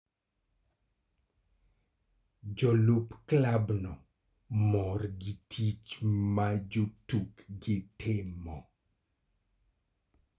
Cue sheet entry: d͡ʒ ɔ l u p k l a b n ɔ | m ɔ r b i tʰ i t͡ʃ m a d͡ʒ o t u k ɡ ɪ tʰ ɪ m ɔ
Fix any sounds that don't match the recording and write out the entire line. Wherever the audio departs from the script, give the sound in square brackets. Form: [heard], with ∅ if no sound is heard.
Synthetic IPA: d͡ʒ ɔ l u p k l a b n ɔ | m ɔ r [ɡ] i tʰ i t͡ʃ m a d͡ʒ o t u k ɡ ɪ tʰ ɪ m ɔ